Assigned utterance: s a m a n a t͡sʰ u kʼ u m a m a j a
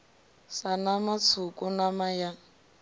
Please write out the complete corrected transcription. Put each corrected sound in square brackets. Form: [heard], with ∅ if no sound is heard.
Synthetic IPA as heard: s a [n] a [m] a t͡sʰ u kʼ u [n] a m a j a